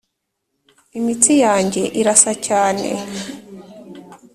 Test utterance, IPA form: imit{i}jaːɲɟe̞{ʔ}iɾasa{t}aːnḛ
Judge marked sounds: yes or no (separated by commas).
yes, yes, no